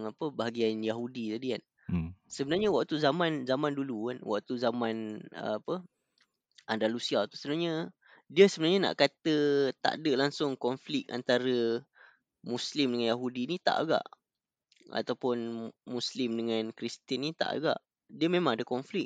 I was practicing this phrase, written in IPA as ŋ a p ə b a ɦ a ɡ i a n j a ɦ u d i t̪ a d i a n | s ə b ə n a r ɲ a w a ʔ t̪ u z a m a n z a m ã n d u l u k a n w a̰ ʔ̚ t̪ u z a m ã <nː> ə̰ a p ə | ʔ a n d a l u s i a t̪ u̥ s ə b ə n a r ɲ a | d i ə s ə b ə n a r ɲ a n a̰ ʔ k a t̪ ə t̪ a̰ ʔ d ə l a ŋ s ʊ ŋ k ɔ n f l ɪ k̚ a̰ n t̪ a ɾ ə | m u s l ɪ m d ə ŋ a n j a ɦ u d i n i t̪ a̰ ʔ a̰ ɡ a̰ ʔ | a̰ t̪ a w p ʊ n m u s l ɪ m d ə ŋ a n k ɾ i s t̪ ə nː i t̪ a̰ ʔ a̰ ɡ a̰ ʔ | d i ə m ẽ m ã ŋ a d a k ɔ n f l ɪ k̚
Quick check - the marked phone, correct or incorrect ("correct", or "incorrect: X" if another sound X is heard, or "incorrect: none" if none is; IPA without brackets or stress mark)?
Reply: incorrect: n